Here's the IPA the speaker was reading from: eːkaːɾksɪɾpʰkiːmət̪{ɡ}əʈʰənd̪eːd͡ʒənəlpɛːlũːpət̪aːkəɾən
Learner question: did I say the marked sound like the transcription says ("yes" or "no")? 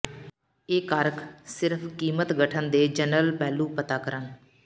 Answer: yes